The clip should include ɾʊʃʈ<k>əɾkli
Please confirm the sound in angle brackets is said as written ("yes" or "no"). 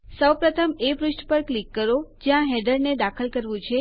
no